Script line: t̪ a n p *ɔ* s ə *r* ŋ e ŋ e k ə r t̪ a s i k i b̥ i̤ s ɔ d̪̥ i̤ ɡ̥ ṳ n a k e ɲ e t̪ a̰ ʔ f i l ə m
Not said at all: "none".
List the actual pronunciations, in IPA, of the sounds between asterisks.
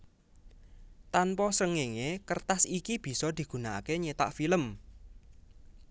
ɔ, none

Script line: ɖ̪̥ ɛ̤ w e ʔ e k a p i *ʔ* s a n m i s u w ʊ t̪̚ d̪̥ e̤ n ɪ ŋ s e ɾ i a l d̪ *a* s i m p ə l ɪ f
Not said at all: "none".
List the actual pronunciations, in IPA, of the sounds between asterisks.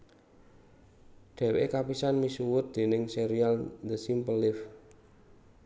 none, ə

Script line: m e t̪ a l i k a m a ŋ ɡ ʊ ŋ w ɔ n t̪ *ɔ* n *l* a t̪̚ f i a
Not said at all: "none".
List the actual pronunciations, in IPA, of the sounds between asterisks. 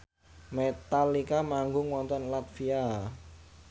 ɔ, l

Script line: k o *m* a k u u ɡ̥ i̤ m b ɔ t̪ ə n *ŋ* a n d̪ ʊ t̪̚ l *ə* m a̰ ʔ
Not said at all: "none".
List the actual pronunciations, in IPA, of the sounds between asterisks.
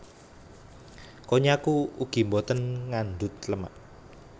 ɲ, ŋ, ə

